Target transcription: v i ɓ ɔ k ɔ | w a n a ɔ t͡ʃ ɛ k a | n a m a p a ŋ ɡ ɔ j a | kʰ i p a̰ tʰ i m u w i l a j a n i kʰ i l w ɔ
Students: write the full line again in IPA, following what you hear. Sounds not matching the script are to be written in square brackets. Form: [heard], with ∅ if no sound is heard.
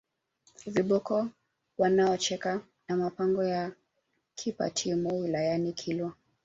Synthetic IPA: v i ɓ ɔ k ɔ | w a n a ɔ t͡ʃ ɛ k a | n a m a p a ŋ ɡ ɔ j a | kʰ i p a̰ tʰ i m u w i l a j a n i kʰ i l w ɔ